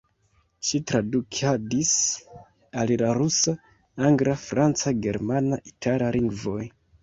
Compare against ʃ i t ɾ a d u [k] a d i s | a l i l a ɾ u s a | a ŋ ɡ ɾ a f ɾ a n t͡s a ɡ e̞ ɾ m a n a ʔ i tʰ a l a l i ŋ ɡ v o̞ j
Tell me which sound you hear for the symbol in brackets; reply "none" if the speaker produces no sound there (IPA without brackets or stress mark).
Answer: kʰ